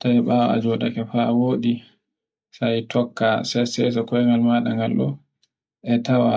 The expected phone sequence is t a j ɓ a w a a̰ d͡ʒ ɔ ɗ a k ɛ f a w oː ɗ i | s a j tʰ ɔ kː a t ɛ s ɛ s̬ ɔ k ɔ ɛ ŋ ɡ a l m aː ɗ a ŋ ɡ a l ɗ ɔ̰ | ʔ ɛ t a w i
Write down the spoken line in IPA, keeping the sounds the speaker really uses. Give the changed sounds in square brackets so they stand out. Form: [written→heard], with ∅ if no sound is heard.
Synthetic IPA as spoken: t a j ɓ a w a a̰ d͡ʒ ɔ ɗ a k ɛ f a w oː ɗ i | s a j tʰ ɔ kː a [t→s] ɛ s ɛ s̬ ɔ k ɔ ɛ ŋ ɡ a l m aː ɗ a ŋ ɡ a l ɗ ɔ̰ | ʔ ɛ t a w [i→a]